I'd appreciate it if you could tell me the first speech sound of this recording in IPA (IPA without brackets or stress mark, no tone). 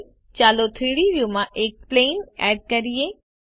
t͡ɕ